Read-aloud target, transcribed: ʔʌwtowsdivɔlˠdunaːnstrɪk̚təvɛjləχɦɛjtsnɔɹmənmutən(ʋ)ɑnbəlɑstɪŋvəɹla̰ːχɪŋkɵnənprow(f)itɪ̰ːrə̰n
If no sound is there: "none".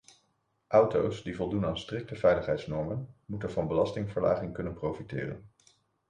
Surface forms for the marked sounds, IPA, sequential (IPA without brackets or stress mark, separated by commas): v, f